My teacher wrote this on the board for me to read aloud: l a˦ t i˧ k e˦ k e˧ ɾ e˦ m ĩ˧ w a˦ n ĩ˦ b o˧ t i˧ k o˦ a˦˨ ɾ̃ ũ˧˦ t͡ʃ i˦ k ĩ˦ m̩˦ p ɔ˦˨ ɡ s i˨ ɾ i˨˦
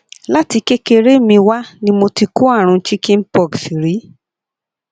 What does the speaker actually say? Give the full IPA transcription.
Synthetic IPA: l a˦ t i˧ k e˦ k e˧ ɾ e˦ m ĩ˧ w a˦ n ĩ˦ m o˧ t i˧ k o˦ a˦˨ ɾ̃ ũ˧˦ t͡ʃ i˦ k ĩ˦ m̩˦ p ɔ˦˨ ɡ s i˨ ɾ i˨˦